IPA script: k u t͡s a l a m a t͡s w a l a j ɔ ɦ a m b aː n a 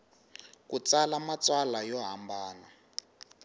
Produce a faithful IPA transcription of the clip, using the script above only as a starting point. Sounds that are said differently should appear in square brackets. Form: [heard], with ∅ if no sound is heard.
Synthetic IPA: k u t͡s a l a m a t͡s w a l a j ɔ ɦ a m b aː n a